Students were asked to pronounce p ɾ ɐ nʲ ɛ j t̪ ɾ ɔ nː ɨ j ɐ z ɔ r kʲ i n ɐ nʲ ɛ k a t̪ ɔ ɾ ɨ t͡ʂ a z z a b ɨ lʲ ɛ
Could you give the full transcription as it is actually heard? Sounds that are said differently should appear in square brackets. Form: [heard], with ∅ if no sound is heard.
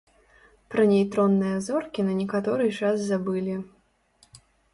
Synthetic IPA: p ɾ ɐ nʲ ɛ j t̪ ɾ ɔ nː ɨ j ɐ z ɔ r kʲ i n ɐ nʲ ɛ k a t̪ ɔ ɾ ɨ t͡ʂ a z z a b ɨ lʲ [i]